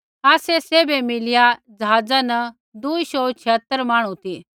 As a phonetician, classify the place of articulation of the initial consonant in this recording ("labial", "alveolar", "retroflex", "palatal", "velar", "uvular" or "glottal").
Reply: alveolar